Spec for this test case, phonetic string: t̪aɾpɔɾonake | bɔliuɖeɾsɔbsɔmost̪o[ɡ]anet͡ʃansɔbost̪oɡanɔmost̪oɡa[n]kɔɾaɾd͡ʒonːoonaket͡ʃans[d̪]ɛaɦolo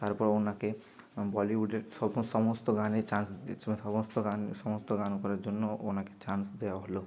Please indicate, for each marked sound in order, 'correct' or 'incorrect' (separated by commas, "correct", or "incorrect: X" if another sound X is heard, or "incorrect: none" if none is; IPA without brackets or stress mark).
correct, correct, correct